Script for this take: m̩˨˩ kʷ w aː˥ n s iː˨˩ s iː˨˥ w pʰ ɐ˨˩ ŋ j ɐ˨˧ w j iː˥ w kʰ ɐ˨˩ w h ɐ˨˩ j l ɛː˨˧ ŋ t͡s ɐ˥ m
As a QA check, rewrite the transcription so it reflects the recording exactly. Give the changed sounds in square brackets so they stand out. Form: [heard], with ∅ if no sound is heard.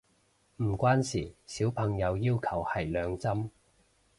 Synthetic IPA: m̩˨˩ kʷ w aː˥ n s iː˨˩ s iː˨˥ w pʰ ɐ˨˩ ŋ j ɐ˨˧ w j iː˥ w kʰ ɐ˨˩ w h ɐ˨˩ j l [œː˨˧] ŋ t͡s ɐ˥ m

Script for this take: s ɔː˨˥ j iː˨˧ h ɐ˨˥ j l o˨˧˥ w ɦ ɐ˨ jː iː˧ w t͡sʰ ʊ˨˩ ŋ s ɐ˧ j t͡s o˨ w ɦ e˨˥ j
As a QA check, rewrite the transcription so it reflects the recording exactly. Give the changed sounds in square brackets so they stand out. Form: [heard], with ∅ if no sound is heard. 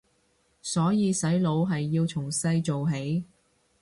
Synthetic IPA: s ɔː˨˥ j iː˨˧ [s] ɐ˨˥ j l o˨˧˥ w ɦ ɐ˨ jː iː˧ w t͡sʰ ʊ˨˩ ŋ s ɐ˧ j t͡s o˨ w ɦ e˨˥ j

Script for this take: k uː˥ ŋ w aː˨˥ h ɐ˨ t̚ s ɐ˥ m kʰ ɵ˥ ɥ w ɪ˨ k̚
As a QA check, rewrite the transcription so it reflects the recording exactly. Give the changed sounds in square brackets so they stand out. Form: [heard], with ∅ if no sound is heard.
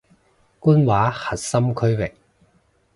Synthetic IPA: k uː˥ [n] w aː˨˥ h ɐ˨ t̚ s ɐ˥ m kʰ ɵ˥ ɥ w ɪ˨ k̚

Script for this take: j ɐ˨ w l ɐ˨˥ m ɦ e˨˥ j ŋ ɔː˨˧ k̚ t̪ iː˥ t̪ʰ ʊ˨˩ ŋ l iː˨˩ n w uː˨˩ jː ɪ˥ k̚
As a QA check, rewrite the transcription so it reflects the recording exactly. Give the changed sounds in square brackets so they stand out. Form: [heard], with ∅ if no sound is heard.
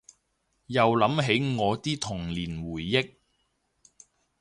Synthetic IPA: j ɐ˨ w l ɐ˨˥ m ɦ e˨˥ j ŋ ɔː˨˧ [∅] t̪ iː˥ t̪ʰ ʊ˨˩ ŋ l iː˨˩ n w uː˨˩ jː ɪ˥ k̚

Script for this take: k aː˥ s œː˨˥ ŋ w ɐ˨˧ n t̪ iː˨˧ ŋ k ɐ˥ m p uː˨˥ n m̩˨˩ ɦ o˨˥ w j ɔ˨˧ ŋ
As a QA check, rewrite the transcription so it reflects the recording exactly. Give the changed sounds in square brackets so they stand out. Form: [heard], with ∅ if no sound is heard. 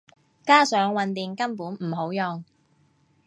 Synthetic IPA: k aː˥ s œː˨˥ ŋ w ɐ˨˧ n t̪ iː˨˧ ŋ k ɐ˥ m p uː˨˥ n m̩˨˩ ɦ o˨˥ w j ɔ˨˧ ŋ

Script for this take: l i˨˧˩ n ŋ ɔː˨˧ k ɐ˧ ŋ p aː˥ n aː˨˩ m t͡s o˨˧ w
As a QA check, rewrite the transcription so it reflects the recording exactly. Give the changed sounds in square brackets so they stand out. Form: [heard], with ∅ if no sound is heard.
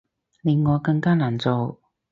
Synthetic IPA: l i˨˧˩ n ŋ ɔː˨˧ k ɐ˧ ŋ [k] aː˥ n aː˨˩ [n] t͡s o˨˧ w

